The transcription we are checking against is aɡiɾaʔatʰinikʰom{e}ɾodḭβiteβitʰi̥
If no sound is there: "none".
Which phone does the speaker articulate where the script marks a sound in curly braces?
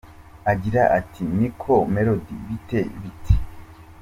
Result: e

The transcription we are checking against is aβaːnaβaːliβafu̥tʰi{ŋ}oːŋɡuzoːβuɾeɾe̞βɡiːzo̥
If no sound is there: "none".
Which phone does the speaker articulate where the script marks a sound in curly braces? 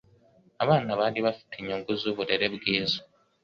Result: ɲ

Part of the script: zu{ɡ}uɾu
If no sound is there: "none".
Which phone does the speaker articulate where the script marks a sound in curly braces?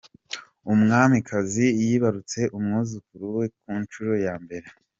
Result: k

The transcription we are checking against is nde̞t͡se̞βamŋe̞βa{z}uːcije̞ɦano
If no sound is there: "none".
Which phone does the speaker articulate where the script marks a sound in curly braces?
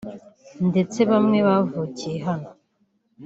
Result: v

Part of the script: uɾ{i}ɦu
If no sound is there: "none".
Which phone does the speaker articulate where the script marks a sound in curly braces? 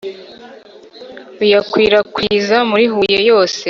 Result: i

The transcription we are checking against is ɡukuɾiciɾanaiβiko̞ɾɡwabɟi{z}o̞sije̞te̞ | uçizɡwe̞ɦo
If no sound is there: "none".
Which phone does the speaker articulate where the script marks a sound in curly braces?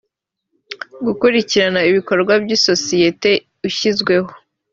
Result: s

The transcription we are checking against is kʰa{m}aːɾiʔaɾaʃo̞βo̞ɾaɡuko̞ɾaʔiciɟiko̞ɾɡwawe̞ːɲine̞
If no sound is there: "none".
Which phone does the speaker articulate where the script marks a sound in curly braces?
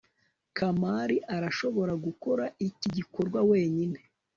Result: m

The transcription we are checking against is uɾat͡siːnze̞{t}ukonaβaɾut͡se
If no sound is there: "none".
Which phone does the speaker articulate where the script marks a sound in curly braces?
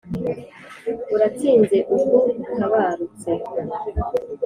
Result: ʔ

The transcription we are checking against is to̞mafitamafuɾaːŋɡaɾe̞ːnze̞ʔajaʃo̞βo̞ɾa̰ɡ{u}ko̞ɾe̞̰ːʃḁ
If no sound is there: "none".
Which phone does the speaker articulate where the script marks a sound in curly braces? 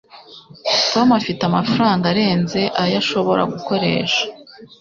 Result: u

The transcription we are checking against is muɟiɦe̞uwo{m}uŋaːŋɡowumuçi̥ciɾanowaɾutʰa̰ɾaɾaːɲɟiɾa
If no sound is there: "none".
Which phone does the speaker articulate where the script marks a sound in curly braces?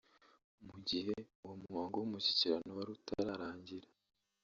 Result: m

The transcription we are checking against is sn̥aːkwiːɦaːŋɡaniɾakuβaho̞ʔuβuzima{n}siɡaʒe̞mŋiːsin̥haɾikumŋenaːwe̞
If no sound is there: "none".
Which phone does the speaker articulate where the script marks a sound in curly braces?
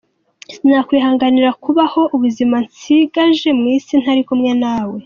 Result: n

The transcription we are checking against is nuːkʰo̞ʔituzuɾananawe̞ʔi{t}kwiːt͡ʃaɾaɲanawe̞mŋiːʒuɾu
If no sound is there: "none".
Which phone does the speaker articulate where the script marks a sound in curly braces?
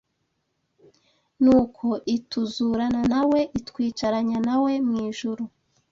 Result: t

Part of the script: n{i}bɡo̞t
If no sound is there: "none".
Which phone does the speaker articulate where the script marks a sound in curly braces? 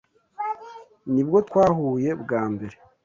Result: i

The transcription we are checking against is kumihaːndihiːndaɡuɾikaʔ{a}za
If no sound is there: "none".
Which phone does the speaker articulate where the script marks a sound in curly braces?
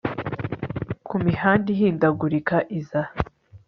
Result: i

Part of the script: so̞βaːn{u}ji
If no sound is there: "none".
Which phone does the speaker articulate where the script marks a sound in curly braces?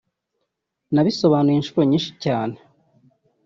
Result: u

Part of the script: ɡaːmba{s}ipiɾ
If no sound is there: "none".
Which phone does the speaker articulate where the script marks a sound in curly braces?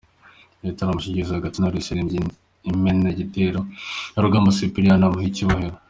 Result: s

